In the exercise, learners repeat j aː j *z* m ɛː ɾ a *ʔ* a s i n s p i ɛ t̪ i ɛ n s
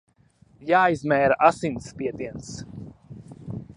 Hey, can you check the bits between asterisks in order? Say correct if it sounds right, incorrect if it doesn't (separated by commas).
correct, correct